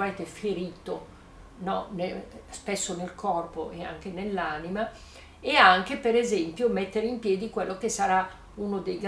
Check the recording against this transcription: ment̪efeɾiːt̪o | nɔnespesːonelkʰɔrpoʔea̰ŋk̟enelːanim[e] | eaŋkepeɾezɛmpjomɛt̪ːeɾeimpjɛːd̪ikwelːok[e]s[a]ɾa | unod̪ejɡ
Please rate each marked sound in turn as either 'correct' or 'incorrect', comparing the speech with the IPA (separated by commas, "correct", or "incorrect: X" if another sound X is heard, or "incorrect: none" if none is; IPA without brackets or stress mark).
incorrect: a, correct, correct